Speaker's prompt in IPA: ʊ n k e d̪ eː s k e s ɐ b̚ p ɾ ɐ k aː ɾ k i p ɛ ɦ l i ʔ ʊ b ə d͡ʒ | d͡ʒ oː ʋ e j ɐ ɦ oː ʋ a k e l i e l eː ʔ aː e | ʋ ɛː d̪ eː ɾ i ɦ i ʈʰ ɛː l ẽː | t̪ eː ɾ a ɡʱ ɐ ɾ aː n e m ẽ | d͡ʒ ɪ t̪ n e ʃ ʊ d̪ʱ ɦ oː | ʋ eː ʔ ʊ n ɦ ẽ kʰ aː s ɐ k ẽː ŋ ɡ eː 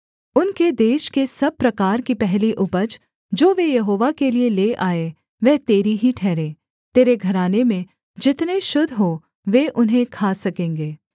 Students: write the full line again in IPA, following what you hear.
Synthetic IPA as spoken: ʊ n k e d̪ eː ʃ k e s ɐ b̚ p ɾ ɐ k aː ɾ k i p ɛ ɦ l i ʔ ʊ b ə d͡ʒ | d͡ʒ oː ʋ e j ɐ ɦ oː ʋ a k e l i e l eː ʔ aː e | ʋ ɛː t̪ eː ɾ i ɦ i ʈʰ ɛː ɾ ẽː | t̪ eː ɾ e ɡʱ ɐ ɾ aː n e m ẽ | d͡ʒ ɪ t̪ n e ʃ ʊ d̪ʱ ɦ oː | ʋ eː ʔ ʊ n ɦ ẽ kʰ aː s ɐ k ẽː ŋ ɡ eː